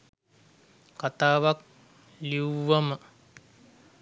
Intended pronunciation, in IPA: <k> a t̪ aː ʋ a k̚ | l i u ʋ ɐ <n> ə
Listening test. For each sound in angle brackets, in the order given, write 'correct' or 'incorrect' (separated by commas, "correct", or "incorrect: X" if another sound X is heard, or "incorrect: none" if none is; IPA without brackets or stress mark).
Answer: correct, incorrect: m